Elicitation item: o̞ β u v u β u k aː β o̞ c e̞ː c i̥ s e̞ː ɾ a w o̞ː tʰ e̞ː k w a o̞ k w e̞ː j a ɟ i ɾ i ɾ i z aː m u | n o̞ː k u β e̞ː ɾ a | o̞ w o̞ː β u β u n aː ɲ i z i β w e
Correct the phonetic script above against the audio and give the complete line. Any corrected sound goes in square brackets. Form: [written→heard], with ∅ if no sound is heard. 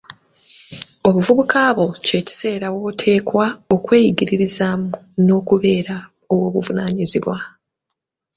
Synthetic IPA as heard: o̞ β u v u β u k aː β o̞ c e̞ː c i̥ s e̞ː ɾ a w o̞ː tʰ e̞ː k w a o̞ k w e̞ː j [a→i] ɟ i ɾ i ɾ i z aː m u | n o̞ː k u β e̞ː ɾ a | o̞ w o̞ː β u [β→v] u n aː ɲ i z i β w [e→a]